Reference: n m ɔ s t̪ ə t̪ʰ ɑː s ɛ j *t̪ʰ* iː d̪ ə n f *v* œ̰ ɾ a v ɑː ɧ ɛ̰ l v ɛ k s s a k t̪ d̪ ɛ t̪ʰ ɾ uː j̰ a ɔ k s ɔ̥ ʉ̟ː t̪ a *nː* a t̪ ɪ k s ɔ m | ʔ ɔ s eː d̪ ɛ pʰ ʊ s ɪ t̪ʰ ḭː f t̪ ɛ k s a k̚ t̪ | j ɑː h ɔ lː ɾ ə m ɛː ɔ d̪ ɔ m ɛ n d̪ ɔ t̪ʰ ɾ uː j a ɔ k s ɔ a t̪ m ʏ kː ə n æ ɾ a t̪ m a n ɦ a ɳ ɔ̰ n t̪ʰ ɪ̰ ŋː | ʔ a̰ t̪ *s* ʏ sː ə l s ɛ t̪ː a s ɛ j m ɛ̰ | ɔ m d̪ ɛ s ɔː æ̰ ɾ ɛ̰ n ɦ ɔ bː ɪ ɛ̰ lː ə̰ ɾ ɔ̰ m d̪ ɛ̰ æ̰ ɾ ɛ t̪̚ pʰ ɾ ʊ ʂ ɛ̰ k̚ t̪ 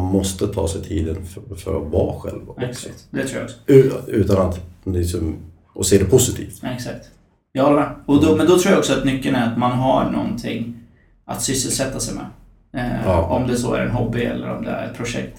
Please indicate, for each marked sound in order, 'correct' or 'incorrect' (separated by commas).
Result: correct, incorrect, incorrect, correct